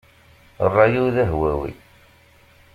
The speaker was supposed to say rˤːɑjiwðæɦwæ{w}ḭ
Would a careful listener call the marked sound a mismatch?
no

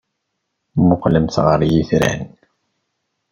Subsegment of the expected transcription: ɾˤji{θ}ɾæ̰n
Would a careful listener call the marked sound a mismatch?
no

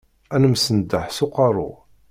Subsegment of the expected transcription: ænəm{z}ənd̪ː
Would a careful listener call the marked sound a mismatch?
yes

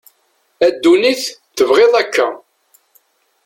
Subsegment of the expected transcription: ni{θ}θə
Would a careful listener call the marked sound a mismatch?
no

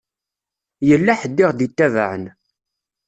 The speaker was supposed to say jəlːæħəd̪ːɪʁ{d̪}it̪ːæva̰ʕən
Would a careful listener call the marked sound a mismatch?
no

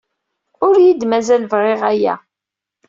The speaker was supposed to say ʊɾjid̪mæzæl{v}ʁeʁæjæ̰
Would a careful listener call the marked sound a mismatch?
no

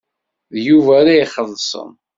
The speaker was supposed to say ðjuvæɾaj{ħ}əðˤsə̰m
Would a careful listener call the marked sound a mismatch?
yes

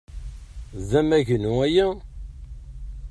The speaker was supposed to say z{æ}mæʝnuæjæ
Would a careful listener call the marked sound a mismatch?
no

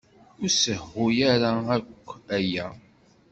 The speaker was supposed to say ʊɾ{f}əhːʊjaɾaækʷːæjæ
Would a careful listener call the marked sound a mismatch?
yes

